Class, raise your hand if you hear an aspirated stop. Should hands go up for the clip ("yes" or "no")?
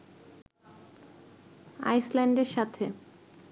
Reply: yes